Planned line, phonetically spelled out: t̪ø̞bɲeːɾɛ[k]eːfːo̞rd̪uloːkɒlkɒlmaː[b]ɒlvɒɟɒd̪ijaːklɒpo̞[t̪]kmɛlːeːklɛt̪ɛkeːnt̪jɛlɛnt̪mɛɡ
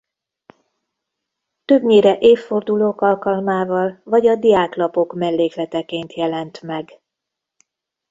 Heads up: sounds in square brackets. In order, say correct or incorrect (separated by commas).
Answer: incorrect, incorrect, incorrect